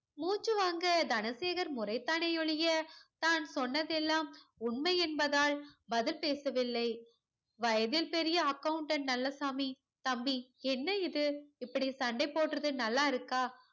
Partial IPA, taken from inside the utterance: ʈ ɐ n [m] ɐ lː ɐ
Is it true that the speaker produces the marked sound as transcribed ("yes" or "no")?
no